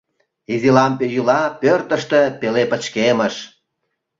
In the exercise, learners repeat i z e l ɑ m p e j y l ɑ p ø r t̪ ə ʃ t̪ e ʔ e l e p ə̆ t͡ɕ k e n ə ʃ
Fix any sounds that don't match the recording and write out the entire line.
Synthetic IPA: i z i l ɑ m p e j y l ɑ p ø r t̪ ə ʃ t̪ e p e l e p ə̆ t͡ɕ k e m ə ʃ